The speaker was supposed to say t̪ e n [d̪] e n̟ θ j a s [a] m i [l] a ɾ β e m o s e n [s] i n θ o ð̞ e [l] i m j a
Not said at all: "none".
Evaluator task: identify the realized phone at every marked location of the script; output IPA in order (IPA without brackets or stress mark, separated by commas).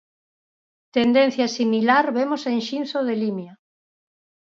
d̪, i, l, ʃ, l